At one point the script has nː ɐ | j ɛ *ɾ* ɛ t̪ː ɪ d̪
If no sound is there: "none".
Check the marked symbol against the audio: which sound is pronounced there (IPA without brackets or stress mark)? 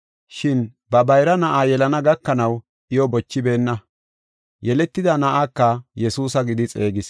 l